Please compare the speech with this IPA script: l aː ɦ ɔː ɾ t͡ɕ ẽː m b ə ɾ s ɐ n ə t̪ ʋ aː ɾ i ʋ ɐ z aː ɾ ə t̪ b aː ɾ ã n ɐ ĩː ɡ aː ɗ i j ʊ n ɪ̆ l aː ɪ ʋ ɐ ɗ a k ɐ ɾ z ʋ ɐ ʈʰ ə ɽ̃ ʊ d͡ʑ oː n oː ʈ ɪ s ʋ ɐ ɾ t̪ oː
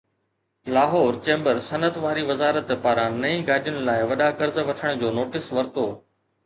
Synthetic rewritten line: l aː ɦ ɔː ɾ t͡ɕ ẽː m b ə ɾ s ɐ n ə t̪ ʋ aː ɾ i ʋ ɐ z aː ɾ ə t̪ p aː ɾ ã n ɐ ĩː ɡ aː ɗ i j ʊ n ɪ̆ l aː ɪ ʋ ɐ ɗ a k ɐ ɾ z ʋ ɐ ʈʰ ə ɽ̃ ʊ d͡ʑ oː n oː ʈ ɪ s ʋ ɐ ɾ t̪ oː